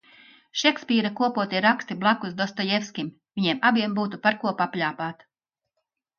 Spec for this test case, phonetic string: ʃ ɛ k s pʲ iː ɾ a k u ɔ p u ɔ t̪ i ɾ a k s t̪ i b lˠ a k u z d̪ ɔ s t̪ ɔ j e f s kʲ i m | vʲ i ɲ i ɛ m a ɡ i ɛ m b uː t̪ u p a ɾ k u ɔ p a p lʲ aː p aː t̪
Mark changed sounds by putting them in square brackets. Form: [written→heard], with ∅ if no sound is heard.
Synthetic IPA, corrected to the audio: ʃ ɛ k s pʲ iː ɾ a k u ɔ p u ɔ t̪ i ɾ a k s t̪ i b lˠ a k u z d̪ ɔ s t̪ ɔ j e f s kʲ i m | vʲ i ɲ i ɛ m a [ɡ→b] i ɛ m b uː t̪ u p a ɾ k u ɔ p a p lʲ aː p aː t̪